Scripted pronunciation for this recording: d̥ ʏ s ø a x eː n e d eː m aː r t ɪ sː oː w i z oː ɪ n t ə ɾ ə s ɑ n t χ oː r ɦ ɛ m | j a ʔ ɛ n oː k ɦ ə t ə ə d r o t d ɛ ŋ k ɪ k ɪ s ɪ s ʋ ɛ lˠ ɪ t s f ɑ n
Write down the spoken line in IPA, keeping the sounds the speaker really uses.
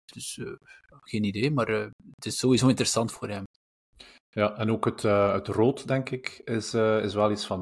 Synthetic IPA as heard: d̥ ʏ s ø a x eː n i d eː m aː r t ɪ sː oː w i z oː ɪ n t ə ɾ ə s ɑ n t f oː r ɦ ɛ m | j a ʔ ɛ n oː k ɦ ə t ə ə t r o t d ɛ ŋ k ɪ k ɪ s ɪ s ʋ ɛ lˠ i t s f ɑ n